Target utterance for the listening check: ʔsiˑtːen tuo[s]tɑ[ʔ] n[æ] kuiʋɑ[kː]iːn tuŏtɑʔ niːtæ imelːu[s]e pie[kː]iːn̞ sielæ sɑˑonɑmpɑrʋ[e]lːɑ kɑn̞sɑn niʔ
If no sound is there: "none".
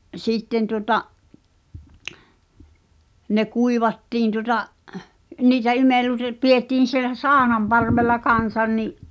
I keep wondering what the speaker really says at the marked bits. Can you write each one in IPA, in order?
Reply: none, ʔ, e, tː, t, tː, e

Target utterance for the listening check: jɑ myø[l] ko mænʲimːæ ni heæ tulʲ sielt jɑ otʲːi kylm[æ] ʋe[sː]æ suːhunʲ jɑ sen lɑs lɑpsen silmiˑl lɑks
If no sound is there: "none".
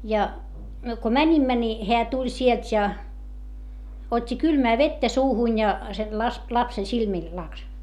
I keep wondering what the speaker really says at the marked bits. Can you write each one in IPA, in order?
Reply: none, æː, tː

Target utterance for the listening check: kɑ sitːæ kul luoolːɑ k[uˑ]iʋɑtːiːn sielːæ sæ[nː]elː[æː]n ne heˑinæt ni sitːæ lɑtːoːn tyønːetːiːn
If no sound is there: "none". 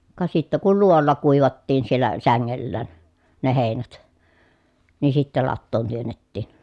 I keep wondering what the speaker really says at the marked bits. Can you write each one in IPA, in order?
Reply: uˑ, ŋː, æː

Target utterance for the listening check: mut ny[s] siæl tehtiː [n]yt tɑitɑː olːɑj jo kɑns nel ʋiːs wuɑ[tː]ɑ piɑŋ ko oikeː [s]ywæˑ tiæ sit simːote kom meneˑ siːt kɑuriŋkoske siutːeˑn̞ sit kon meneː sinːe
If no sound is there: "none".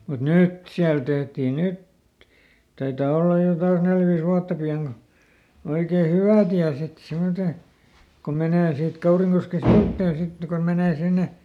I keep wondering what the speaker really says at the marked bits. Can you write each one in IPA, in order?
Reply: t, n, tː, h

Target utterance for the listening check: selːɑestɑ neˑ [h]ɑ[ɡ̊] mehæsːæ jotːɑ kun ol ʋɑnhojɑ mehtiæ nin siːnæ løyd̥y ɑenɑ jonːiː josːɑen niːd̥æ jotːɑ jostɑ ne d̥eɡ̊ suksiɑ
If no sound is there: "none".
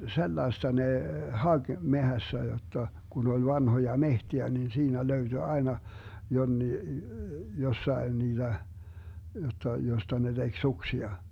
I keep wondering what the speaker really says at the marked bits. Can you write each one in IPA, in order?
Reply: h, ɡ̊

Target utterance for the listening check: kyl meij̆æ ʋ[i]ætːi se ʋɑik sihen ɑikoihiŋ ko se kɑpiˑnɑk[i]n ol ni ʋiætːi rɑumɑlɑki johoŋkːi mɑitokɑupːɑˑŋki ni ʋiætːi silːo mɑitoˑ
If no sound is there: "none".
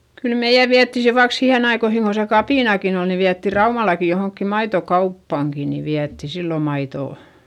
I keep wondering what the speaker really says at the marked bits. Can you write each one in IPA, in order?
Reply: i, i

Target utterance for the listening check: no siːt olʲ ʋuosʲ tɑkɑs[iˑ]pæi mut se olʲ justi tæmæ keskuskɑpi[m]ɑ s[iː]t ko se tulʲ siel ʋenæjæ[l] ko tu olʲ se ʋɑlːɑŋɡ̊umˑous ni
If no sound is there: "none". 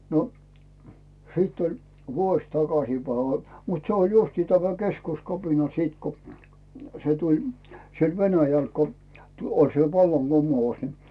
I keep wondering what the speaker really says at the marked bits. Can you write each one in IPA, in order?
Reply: iˑ, n, iː, l

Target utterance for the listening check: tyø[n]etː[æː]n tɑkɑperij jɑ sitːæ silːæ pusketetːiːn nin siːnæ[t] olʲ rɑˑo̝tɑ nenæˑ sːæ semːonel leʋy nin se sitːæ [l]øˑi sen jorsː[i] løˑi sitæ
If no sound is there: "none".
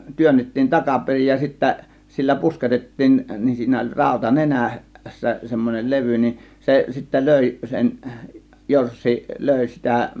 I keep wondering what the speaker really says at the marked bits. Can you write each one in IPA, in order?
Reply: nː, iː, none, l, i

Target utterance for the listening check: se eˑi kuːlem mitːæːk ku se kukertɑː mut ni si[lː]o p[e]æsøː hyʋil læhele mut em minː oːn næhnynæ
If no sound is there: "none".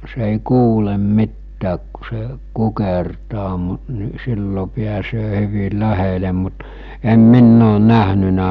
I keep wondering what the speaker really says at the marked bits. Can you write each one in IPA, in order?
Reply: lː, i

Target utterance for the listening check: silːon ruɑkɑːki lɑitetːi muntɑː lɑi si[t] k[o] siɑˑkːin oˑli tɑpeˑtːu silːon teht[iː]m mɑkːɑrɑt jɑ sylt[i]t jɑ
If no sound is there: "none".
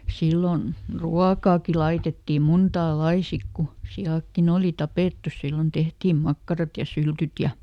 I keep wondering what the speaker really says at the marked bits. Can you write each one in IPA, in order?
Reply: k, u, iː, y

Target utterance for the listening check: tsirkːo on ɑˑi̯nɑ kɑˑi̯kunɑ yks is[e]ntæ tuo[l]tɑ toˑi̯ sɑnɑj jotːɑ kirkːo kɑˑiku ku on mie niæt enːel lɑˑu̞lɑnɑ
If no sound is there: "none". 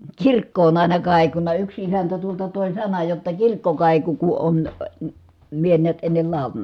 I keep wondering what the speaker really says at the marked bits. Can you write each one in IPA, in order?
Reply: æ, l

